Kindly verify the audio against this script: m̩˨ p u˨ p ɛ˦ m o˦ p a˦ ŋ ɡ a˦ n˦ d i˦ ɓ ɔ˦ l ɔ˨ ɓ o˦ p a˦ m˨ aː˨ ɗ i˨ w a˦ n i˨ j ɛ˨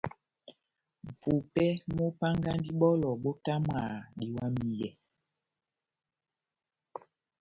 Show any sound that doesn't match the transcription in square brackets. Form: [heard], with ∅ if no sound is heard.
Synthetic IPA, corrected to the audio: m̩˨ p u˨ p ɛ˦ m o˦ p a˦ ŋ ɡ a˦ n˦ d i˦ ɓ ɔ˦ l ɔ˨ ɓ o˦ [t] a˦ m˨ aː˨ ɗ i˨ w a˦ [m] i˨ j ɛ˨